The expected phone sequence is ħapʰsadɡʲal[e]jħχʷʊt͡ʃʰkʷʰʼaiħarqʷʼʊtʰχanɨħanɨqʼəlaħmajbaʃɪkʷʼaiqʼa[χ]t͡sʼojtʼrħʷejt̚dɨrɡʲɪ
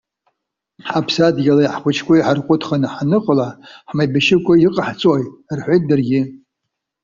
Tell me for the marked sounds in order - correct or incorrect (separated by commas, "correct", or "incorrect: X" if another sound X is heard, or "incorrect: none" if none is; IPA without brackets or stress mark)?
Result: incorrect: a, incorrect: ħ